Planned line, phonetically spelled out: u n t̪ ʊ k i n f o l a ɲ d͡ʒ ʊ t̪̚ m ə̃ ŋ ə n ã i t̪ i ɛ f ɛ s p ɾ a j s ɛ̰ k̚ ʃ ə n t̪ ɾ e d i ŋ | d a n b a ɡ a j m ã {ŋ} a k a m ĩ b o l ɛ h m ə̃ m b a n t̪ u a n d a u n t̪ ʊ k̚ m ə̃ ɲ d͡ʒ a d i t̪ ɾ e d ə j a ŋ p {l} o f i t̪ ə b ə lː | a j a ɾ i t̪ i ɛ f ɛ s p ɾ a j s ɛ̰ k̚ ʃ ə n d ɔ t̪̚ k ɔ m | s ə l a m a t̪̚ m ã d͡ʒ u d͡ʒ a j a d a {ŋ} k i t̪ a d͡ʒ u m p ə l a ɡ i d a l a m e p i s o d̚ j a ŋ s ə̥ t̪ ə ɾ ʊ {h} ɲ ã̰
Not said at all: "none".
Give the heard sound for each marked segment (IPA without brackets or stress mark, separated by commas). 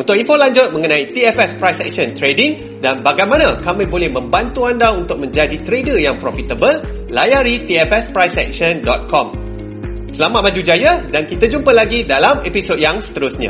n, ɾ, n, s